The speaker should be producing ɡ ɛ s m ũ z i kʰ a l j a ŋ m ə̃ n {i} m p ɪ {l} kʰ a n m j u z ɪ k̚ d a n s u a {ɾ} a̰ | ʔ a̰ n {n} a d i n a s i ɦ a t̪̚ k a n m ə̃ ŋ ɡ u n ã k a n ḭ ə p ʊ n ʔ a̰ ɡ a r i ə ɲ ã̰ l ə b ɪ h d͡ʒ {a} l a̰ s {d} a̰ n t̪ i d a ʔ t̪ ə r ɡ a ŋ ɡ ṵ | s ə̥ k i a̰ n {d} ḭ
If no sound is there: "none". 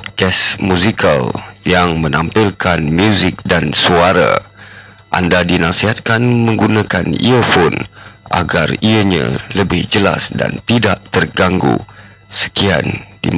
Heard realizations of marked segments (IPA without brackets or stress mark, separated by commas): a, l, ɾ, d, ə, d, d